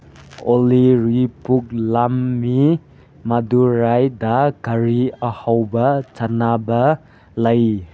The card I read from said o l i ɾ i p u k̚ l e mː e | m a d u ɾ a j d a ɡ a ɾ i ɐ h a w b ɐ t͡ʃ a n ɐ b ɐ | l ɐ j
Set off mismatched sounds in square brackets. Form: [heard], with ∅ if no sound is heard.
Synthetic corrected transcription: o l i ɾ i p u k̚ l [a] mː [i] | m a d u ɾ a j d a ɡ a ɾ i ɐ h a w b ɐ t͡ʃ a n [a] b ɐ | l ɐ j